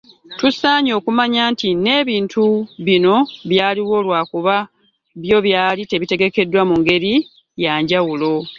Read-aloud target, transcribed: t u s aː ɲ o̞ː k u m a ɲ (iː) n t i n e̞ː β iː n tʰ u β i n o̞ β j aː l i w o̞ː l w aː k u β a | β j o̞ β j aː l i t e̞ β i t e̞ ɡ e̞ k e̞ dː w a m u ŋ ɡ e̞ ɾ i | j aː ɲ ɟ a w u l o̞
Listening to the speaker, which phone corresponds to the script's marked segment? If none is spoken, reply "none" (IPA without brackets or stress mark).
aː